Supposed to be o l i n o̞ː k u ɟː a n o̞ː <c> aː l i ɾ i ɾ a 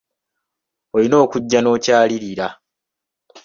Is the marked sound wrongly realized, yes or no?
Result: no